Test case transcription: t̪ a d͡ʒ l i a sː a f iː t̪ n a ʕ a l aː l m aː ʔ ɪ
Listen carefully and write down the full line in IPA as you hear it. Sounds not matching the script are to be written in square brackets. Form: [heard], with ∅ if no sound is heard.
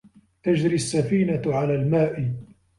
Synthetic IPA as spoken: t̪ a d͡ʒ [ɾ] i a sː a f iː [∅] n a ʕ a l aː l m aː ʔ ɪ